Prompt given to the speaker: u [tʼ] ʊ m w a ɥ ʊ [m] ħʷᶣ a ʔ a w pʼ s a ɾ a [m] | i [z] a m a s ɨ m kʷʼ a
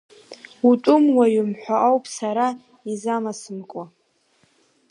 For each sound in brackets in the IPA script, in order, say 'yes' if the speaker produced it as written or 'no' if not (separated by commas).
yes, yes, no, yes